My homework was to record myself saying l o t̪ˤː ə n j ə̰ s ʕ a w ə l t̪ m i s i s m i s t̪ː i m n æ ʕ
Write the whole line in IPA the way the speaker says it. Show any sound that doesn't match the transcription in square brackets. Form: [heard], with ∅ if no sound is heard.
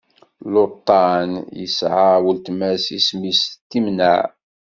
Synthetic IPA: l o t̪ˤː [ɑ] n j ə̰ s ʕ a w ə l t̪ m [æ] s i s m i s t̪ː i m n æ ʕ